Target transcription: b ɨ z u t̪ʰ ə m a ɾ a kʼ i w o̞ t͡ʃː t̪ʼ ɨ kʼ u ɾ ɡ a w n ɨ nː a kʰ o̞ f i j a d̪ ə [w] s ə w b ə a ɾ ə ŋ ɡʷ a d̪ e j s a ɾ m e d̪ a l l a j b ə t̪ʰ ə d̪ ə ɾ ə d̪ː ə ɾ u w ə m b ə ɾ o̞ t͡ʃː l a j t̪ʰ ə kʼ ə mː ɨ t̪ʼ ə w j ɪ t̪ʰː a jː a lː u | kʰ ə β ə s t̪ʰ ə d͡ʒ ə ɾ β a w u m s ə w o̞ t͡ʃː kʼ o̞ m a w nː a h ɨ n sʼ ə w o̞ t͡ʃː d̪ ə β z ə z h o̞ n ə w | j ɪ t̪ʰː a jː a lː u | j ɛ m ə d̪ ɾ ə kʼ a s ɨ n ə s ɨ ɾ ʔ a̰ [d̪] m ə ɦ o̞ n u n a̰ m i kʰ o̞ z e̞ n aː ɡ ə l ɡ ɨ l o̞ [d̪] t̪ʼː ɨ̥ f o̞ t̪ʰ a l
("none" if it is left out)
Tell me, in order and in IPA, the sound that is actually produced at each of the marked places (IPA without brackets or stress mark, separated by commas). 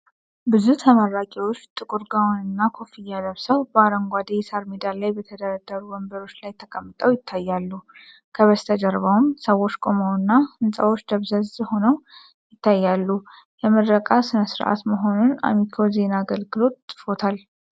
β, t̪, t̪